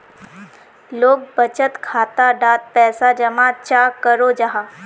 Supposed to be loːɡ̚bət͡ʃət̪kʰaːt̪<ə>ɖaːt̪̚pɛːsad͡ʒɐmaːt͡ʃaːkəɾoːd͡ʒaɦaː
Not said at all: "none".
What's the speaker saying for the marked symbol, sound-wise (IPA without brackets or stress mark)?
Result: a